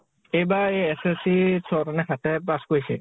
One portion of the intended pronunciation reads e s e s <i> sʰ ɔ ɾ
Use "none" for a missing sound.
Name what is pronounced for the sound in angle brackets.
i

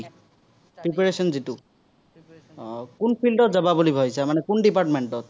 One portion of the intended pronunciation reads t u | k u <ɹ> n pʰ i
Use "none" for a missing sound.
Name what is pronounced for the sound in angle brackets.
none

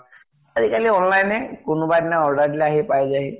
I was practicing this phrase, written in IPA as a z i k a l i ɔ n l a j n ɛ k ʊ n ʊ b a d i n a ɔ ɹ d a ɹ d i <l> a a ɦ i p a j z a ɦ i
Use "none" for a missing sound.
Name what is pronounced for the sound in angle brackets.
l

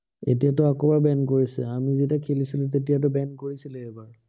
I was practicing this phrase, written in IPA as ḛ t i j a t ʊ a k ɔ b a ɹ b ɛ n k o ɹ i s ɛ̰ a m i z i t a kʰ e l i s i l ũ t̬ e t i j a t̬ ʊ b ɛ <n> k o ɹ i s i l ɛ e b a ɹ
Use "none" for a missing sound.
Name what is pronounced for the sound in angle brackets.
n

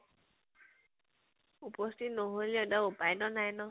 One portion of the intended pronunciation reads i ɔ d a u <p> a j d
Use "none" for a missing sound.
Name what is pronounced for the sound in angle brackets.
p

